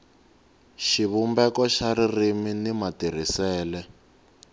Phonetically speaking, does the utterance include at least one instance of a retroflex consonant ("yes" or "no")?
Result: no